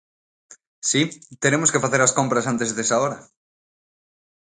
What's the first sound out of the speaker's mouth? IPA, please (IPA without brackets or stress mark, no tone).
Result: s